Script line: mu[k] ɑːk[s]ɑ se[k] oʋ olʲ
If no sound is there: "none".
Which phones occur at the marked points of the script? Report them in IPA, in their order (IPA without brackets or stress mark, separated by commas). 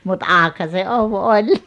t, h, none